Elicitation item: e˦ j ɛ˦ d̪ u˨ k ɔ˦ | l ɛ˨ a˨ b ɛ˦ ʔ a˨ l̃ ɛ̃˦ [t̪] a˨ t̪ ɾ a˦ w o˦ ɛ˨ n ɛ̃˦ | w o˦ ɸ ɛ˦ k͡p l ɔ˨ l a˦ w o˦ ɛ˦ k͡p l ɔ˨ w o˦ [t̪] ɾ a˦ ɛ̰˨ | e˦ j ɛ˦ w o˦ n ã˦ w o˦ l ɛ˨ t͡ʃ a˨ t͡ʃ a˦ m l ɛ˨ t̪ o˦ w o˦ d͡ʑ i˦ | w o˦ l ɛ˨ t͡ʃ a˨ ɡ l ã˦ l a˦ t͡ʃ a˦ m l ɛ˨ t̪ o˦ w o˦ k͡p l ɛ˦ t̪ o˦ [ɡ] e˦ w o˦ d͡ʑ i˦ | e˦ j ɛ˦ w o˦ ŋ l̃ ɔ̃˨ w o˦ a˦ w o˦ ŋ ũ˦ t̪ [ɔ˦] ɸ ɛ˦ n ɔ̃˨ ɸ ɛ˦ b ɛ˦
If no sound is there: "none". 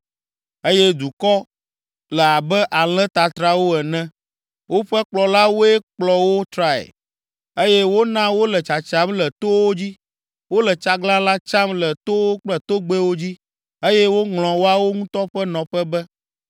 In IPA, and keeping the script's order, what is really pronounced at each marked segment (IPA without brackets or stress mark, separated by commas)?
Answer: t̪, t̪, ɡ͡b, ɔ˦